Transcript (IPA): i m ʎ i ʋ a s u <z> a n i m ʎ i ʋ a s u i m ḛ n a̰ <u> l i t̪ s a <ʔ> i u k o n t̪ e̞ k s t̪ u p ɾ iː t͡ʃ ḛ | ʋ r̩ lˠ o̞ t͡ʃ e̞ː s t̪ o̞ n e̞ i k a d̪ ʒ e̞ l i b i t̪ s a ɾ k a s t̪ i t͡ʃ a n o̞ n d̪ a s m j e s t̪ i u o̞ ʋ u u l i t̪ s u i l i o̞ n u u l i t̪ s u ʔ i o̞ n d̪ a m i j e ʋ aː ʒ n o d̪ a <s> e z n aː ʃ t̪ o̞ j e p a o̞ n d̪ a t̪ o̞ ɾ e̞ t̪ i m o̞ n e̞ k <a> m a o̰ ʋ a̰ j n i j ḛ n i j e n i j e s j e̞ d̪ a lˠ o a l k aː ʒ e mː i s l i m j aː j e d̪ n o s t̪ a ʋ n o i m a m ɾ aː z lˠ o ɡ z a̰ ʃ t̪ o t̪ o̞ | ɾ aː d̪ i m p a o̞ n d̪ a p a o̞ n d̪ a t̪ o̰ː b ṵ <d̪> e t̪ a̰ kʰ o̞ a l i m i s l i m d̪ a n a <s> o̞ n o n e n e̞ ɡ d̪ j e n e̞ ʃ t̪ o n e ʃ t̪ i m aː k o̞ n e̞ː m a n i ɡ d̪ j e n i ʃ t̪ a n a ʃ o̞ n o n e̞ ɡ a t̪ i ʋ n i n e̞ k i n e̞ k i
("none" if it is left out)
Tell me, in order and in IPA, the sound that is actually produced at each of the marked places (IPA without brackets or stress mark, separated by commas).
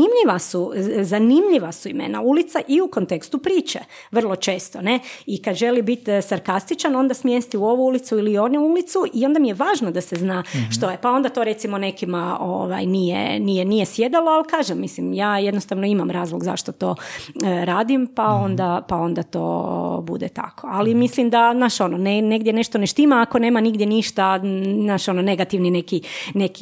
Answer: z, u, ʔ, s, i, d̪, ʃ